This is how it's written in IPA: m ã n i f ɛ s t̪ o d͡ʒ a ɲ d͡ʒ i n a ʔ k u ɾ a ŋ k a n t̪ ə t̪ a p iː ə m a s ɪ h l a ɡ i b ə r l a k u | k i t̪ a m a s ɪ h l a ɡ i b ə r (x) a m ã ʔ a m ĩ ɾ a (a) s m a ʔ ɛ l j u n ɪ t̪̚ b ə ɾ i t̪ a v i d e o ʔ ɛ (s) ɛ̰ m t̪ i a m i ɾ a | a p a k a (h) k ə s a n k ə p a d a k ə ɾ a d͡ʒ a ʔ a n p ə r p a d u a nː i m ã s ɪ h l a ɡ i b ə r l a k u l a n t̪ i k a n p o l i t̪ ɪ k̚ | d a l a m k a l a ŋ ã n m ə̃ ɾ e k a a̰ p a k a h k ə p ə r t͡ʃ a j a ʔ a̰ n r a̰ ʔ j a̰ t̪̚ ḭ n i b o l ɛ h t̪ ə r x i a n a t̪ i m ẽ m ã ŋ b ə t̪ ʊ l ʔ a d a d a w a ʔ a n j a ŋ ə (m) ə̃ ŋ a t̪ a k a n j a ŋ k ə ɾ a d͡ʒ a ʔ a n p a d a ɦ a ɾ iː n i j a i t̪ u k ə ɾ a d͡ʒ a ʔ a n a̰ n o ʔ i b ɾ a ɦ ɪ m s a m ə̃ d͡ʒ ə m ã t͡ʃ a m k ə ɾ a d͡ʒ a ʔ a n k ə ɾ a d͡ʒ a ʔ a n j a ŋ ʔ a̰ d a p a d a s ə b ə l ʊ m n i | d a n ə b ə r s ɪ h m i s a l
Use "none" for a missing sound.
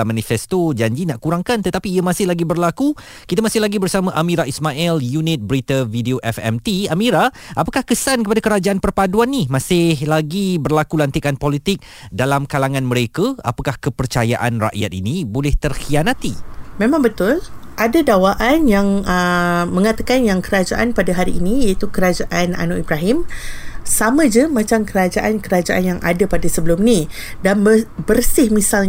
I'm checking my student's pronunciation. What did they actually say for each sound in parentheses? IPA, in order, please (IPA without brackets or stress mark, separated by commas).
s, i, f, h, m